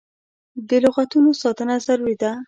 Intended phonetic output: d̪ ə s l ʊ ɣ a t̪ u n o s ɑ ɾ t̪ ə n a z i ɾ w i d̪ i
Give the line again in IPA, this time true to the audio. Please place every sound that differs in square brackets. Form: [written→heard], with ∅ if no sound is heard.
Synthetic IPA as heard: d̪ ə [s→∅] l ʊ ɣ a t̪ u n o s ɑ [ɾ→∅] t̪ ə n a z [i→a] ɾ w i d̪ [i→a]